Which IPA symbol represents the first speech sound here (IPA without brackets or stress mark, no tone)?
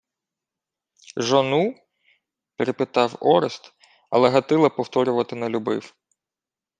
ʒ